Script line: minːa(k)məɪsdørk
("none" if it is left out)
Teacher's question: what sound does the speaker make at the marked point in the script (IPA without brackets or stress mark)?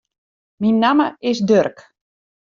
none